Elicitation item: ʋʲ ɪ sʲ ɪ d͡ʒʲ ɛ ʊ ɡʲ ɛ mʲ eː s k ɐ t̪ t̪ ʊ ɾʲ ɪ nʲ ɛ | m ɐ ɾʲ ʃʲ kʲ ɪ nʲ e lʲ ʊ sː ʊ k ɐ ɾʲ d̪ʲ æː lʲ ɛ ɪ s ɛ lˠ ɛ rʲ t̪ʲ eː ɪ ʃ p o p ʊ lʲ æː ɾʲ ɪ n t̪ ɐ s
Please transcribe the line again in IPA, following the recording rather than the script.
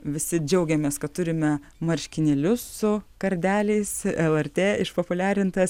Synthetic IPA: ʋʲ ɪ sʲ ɪ d͡ʒʲ ɛ ʊ ɡʲ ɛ mʲ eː s k ɐ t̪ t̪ ʊ ɾʲ ɪ mʲ ɛ | m ɐ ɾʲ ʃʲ kʲ ɪ nʲ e lʲ ʊ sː ʊ k ɐ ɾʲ d̪ʲ æː lʲ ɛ ɪ s ɛ lˠ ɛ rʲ t̪ʲ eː ɪ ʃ p o p ʊ lʲ æː ɾʲ ɪ n t̪ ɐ s